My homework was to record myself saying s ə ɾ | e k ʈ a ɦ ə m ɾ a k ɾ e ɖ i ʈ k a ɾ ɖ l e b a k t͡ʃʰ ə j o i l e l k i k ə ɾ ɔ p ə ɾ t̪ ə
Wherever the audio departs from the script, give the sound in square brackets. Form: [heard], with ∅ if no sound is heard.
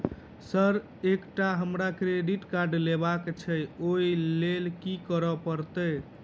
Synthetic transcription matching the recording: s ə ɾ | e k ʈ a ɦ ə m ɾ a k ɾ e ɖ i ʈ k a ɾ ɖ l e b a k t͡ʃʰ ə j o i l e l k i k ə ɾ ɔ p ə ɾ t̪ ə